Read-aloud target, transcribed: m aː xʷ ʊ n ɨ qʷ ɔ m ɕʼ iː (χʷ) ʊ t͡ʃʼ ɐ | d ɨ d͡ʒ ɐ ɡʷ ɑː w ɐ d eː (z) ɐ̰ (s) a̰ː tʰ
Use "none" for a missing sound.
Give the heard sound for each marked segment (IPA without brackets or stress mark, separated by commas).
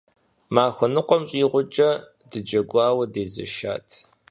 ʁʷ, z, ʃ